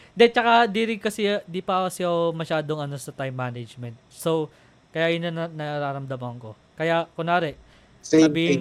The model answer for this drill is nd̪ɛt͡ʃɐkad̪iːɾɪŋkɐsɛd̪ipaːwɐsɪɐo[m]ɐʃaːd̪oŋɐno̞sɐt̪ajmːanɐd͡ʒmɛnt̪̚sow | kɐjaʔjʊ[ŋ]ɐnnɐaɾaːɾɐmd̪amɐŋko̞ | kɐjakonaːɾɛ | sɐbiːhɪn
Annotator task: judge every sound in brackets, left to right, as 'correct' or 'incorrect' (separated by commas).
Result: correct, incorrect